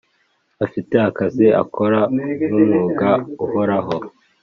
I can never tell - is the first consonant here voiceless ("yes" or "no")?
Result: yes